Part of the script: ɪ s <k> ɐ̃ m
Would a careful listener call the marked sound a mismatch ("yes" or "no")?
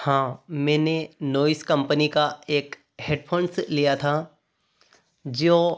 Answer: no